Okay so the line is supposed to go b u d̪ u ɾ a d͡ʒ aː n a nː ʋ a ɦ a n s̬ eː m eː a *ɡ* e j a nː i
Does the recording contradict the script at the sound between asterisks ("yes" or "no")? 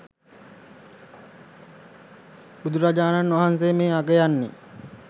no